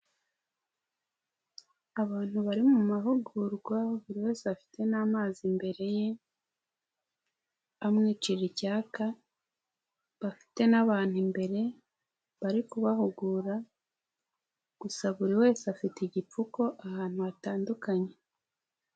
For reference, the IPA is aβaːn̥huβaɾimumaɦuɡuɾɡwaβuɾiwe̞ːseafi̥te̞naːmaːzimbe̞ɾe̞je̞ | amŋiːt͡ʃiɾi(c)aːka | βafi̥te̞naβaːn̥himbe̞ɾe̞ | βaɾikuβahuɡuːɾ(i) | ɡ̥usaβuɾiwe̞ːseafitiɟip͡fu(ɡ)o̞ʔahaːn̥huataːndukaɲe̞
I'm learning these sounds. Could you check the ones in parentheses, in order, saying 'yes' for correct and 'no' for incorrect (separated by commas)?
yes, no, no